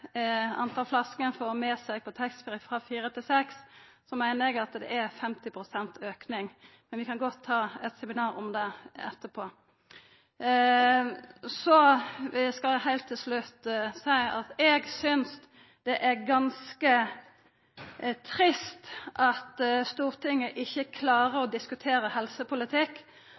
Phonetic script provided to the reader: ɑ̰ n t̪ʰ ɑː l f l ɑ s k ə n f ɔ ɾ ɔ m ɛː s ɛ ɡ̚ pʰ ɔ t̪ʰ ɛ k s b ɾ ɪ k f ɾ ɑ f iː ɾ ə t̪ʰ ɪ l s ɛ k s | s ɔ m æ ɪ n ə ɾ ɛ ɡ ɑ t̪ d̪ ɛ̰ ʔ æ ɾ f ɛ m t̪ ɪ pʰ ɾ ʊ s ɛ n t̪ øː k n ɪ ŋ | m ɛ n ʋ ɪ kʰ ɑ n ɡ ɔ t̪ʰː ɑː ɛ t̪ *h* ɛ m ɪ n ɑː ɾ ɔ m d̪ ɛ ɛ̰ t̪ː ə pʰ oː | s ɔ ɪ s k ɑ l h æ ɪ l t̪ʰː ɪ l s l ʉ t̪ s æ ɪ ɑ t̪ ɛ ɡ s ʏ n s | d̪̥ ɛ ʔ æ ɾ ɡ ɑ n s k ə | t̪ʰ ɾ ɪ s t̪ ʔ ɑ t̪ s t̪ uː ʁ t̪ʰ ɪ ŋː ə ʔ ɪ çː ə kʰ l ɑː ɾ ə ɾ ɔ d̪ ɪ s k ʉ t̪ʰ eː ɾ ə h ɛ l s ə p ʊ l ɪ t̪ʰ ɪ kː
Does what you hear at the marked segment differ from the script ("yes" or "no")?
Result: yes